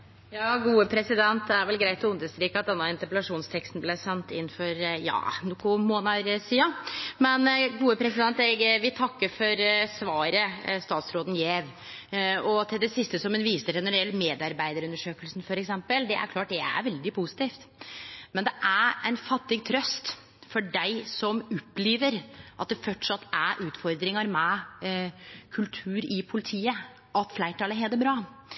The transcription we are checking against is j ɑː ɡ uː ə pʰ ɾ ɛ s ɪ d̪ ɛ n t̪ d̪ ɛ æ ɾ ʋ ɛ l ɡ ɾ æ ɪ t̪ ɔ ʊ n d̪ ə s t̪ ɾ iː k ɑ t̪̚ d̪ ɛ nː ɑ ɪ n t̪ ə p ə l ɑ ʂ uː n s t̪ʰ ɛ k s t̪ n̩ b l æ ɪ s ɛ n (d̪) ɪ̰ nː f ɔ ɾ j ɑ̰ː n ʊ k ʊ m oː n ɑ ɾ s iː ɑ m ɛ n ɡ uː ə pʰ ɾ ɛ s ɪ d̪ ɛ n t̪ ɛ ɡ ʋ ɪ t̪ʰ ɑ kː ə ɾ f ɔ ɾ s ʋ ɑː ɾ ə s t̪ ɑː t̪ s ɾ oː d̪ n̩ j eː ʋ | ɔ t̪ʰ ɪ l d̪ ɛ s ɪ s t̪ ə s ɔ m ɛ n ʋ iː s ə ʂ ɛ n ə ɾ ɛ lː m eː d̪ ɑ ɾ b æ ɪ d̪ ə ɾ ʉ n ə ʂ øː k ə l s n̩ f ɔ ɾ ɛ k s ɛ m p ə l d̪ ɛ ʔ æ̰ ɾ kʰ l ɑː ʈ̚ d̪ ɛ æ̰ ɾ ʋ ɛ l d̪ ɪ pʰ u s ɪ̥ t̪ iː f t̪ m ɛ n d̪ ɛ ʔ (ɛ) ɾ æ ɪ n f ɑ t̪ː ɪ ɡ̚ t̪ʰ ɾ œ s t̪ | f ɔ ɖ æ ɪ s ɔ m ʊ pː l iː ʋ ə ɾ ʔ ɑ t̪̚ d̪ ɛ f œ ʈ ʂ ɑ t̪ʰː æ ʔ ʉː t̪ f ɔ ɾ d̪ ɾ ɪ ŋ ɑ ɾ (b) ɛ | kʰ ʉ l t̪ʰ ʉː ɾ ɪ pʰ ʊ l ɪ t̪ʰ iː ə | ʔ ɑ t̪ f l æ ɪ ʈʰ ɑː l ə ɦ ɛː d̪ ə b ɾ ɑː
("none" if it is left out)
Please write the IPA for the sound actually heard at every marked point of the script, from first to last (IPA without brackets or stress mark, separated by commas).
t̪, æ, m